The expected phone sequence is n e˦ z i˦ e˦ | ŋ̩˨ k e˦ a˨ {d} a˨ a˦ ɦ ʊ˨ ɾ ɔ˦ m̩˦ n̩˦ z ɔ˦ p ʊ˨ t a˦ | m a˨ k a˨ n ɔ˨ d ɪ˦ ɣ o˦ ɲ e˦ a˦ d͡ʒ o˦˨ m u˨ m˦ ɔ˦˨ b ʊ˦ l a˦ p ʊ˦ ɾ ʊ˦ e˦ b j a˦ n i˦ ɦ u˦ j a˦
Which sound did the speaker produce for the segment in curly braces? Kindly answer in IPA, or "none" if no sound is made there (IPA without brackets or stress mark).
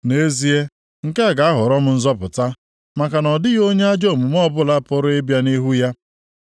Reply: ɡ